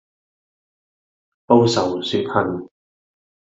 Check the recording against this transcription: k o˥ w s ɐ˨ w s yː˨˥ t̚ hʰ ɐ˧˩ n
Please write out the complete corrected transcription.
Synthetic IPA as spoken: p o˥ w s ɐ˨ w s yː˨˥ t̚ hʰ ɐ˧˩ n